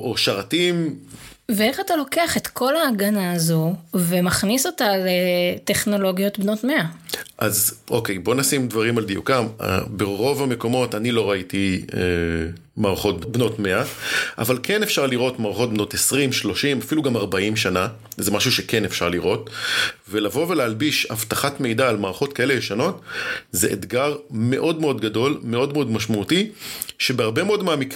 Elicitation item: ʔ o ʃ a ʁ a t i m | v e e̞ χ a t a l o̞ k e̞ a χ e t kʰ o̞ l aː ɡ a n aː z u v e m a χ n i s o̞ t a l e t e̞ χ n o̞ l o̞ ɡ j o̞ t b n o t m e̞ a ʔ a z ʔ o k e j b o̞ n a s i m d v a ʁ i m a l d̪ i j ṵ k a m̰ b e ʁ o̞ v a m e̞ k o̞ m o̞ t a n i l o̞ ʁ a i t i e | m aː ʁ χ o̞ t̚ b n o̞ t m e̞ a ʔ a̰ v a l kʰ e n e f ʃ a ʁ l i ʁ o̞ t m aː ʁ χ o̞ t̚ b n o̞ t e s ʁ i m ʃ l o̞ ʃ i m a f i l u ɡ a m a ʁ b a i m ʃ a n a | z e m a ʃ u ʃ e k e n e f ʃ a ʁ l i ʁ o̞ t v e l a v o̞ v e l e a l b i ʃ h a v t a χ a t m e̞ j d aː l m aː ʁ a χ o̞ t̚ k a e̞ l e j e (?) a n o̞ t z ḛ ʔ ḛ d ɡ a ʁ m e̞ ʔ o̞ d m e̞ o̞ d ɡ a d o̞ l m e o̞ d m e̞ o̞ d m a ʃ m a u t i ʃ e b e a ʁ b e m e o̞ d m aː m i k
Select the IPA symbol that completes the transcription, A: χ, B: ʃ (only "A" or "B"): B